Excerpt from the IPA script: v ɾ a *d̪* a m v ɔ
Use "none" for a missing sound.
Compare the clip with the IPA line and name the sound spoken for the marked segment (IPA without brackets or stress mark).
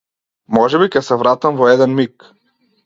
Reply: t̪